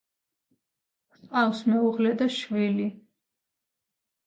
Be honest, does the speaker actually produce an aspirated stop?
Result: no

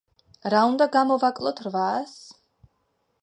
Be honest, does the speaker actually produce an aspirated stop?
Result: yes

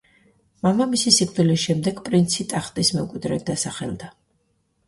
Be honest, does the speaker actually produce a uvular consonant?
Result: yes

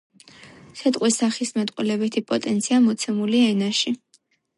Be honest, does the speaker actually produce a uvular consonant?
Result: yes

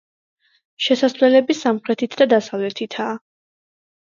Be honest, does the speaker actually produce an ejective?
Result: no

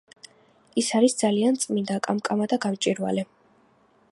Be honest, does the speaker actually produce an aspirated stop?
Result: no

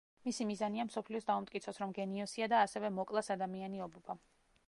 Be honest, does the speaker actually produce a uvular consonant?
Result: no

